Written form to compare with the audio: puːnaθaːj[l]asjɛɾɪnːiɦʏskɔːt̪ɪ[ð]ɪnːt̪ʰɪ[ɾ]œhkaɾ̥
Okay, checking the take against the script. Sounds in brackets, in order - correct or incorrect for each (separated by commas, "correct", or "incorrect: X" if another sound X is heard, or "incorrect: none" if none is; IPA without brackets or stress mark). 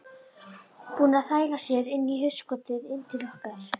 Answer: correct, correct, incorrect: l